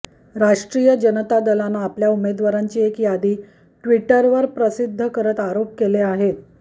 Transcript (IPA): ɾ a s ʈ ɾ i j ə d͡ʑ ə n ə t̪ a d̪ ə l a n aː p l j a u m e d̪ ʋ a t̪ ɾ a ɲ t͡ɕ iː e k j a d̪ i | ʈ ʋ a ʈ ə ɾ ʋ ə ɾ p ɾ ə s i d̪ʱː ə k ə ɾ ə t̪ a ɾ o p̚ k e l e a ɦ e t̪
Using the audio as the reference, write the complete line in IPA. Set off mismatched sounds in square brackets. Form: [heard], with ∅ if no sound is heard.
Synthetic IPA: ɾ a [ʂ] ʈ ɾ i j ə d͡ʑ ə n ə t̪ a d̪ ə l a n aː p l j a u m e d̪ ʋ a [∅] ɾ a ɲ t͡ɕ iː e k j a d̪ [iː] | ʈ ʋ [i] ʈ ə ɾ ʋ ə ɾ p ɾ ə s i d̪ʱː ə k ə ɾ ə t̪ a ɾ o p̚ k e l e a ɦ e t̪